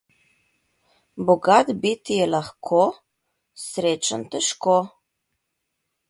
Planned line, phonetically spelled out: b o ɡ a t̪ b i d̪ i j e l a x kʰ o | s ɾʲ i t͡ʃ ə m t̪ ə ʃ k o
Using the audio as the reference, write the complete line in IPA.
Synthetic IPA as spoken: b o ɡ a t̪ b i t̪ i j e l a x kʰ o | s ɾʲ e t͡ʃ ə n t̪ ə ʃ k o

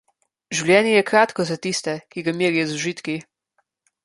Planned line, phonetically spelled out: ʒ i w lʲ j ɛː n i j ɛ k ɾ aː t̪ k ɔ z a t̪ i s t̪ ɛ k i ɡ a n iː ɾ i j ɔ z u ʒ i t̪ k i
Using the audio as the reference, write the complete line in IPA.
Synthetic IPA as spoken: ʒ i w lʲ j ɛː n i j ɛ k ɾ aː t̪ k ɔ z a t̪ i s t̪ ɛ k i ɡ a m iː ɾ i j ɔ z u ʒ i t̪ k i

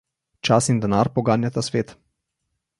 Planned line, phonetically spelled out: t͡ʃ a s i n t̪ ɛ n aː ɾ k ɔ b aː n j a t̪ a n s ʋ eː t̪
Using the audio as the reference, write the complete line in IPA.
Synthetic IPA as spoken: t͡ʃ a s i n d̪ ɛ n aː ɾ p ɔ ɡ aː n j a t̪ a s ʋ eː t̪

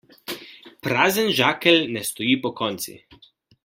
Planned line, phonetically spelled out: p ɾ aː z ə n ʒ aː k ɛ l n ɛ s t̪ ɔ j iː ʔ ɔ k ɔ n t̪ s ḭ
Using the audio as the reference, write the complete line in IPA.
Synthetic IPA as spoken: p ɾ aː z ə n ʒ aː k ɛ l n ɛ s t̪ ɔ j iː p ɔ k ɔ n t̪ s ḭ

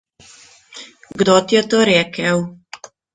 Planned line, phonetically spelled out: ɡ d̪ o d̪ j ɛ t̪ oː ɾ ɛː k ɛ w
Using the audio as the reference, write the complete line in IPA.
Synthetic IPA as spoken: ɡ d̪ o t̪ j ɛ t̪ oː ɾ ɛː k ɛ w

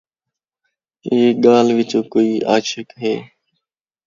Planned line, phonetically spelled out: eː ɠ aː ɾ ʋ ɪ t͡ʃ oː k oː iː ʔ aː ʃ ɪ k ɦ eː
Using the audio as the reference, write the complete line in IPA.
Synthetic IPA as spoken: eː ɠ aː l ʋ ɪ t͡ʃ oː k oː iː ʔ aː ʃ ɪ k ɦ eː

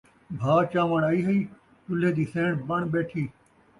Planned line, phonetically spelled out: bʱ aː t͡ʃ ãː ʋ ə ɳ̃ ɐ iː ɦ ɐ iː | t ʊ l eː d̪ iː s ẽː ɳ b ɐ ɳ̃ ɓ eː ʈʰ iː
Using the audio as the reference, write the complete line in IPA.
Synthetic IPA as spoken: bʱ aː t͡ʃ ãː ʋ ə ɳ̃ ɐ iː ɦ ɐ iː | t ʊ l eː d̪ iː s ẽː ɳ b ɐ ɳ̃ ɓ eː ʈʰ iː

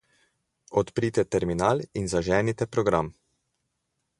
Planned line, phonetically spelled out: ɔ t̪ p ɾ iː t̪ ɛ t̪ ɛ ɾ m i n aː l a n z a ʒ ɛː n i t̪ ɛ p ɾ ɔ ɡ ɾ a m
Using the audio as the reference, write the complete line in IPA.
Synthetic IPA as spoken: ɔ t̪ p ɾ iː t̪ ɛ t̪ ɛ ɾ m i n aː l i n z a ʒ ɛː n i t̪ ɛ p ɾ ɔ ɡ ɾ a m

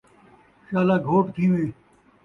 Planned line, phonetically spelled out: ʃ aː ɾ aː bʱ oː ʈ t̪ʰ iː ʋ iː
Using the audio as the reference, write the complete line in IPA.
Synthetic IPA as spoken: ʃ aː l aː ɡʱ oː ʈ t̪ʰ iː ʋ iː

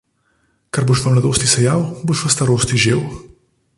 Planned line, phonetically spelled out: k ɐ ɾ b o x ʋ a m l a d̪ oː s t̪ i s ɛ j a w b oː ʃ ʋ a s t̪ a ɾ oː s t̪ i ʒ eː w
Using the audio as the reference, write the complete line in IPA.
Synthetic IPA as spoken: k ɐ ɾ b o ʃ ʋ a m l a d̪ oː s t̪ i s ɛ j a w b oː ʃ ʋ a s t̪ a ɾ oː s t̪ i ʒ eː w

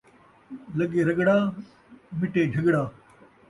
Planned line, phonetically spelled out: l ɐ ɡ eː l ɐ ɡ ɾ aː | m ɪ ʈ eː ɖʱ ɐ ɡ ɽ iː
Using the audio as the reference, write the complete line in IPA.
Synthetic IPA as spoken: l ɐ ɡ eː ɾ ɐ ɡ ɽ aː | m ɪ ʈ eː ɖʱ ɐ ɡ ɽ aː

